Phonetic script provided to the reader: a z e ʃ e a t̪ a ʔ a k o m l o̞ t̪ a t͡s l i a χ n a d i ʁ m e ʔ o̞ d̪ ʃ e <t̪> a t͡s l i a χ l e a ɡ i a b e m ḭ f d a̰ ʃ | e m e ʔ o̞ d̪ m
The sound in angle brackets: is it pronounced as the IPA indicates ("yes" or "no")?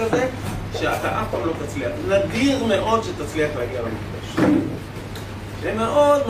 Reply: yes